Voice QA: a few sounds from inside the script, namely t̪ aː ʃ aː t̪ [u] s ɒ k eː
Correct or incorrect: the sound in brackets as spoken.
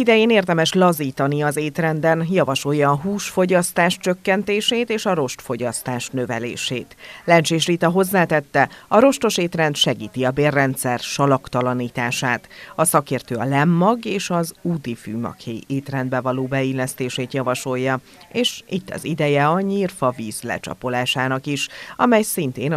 incorrect: ɒ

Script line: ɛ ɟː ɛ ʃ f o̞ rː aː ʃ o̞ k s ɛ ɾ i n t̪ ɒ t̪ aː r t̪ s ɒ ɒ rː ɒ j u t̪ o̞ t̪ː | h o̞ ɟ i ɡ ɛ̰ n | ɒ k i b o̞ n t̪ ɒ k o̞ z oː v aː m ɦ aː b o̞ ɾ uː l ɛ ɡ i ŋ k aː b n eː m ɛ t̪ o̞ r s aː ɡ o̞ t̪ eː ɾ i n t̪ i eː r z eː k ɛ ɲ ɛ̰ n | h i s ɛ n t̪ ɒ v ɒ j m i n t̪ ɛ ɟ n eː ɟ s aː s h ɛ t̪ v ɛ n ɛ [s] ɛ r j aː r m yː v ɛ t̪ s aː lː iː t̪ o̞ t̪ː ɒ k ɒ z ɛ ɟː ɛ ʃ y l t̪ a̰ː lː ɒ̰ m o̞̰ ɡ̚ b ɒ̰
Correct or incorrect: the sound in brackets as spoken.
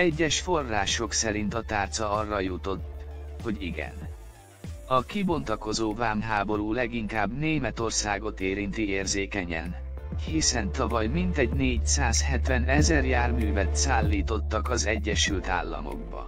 incorrect: z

